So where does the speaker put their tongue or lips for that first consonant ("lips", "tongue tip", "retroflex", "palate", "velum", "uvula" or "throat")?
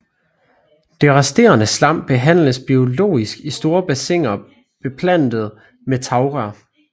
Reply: tongue tip